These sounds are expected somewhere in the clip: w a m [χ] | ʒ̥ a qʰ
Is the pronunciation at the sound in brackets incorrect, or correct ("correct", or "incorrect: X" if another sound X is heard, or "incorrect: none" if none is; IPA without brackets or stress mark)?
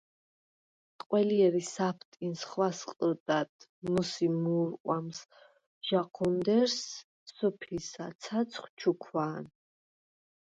incorrect: s